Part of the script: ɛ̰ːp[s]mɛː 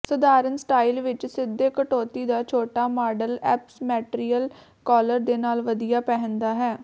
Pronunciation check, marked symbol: correct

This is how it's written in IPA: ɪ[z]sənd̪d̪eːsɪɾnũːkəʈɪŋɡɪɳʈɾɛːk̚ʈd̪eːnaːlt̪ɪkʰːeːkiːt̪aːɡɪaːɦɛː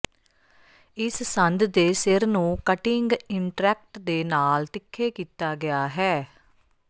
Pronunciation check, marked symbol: incorrect: s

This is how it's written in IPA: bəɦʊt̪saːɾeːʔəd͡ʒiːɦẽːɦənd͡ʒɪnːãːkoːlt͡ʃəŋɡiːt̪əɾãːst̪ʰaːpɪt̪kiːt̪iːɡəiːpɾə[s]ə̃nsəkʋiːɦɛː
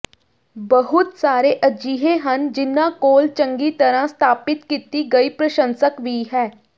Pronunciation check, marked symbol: incorrect: ʃ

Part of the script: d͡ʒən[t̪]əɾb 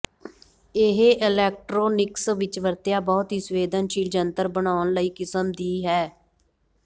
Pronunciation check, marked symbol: correct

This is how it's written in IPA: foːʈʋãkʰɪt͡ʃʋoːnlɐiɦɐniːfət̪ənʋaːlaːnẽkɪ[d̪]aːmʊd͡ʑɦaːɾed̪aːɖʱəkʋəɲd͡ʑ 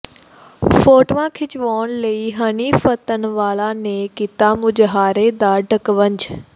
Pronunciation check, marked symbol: incorrect: t̪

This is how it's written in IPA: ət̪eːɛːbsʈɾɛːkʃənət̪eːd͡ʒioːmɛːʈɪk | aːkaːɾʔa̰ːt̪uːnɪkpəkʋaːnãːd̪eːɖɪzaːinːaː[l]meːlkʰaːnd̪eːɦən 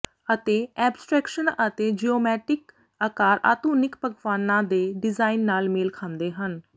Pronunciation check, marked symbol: correct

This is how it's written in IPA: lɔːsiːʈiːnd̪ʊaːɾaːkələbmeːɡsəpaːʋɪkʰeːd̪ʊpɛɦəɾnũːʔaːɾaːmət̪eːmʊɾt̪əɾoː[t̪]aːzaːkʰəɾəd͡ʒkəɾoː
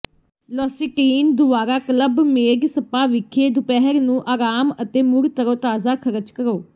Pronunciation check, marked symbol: correct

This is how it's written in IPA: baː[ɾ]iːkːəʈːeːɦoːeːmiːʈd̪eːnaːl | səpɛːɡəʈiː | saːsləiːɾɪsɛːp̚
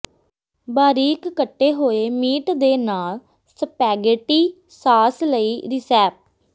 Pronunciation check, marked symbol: correct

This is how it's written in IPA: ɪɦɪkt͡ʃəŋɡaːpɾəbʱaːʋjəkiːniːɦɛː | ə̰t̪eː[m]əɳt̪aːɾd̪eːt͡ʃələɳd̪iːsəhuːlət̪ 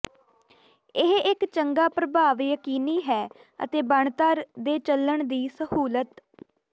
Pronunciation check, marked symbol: incorrect: b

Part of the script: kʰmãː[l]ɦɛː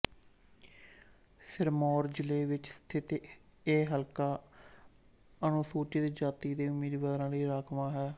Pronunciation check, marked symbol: incorrect: none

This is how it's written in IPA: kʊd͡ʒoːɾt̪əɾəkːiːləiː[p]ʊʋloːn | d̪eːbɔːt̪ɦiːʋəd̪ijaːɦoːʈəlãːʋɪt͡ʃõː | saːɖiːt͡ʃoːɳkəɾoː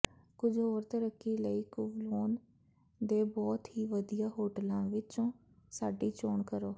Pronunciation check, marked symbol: incorrect: k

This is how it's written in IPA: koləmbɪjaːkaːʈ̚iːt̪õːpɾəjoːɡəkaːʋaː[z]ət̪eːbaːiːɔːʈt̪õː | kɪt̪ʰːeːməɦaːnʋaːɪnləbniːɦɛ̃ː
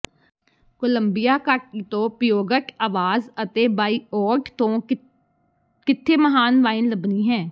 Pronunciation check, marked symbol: correct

